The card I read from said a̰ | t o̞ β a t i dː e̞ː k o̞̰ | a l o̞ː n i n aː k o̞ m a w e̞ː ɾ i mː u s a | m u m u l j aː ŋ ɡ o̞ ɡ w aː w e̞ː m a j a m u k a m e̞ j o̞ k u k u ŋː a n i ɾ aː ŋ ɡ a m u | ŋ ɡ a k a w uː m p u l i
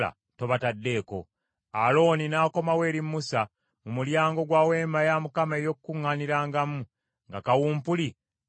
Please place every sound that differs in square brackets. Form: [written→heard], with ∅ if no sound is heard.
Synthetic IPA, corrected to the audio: a̰ | t o̞ β a t [i→a] dː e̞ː k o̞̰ | a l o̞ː n i n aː k o̞ m a w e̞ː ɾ i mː u s a | m u m u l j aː ŋ ɡ o̞ ɡ w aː w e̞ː m a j a m u k a m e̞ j o̞ k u k u ŋː a n i ɾ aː ŋ ɡ a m u | ŋ ɡ a k a w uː m p u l i